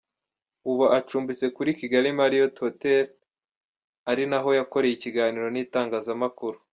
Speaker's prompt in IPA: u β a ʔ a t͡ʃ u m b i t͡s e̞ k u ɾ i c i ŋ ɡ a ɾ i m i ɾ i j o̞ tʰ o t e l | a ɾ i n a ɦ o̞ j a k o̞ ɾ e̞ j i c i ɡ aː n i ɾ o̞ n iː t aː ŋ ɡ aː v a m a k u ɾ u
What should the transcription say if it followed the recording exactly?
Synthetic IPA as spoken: u β a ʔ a t͡ʃ uː m b i t͡s e̞ k u ɾ i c i ɡ a ɾ i m a ɾ i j o̞ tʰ o t e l | a ɾ i n a ɦ o̞ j a k o̞ ɾ e̞ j i c i ɡ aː n i ɾ o̞ n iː t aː ŋ ɡ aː z a m a k u ɾ u